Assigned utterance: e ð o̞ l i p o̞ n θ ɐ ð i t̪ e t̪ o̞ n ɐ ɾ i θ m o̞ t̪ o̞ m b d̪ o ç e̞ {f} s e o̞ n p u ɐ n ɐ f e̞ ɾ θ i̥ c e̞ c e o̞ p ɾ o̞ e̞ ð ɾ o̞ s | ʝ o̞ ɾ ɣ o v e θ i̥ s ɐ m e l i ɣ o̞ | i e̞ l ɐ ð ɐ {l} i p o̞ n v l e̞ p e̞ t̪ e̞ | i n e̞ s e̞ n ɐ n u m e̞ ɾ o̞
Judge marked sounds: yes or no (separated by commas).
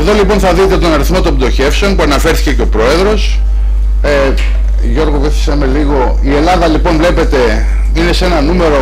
yes, yes